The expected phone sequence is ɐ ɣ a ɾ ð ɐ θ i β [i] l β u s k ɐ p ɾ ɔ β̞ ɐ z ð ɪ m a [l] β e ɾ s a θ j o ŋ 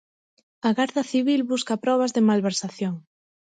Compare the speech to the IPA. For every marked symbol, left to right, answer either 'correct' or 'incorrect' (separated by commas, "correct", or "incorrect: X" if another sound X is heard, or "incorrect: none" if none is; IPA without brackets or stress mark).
correct, correct